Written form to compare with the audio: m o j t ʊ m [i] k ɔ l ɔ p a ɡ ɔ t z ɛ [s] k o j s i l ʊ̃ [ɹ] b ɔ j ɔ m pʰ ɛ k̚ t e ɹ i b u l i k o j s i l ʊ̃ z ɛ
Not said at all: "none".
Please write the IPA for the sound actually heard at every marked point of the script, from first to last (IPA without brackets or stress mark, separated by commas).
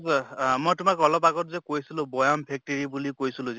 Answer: a, none, none